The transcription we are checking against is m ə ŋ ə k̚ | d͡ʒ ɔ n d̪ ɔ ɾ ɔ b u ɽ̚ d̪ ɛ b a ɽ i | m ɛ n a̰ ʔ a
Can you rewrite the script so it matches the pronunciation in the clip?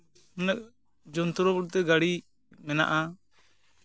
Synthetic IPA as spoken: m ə n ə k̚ | d͡ʒ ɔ n t̪ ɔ ɾ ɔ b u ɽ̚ t̪ ɛ ɡ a ɽ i | m ɛ n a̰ ʔ a